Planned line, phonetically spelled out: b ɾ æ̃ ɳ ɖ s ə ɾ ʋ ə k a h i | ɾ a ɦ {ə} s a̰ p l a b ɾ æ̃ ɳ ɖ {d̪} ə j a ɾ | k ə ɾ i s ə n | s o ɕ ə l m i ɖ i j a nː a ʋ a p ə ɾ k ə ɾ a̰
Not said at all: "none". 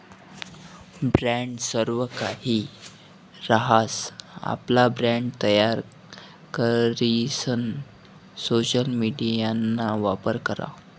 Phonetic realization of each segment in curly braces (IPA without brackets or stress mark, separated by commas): a, t̪